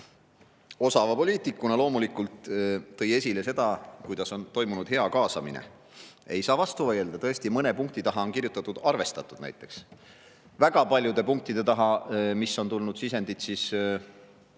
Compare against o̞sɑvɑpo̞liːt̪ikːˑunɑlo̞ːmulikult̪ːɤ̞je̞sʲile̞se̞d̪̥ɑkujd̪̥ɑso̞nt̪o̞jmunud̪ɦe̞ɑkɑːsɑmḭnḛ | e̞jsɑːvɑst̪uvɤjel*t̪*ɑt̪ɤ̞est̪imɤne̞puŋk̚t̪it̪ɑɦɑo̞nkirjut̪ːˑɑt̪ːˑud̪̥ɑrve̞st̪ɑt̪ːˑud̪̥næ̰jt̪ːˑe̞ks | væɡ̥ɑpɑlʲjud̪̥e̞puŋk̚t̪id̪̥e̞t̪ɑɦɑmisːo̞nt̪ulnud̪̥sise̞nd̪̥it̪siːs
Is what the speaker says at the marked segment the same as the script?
no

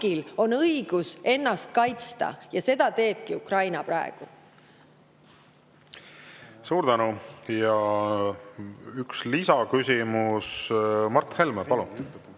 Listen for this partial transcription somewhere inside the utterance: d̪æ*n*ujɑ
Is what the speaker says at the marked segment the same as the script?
yes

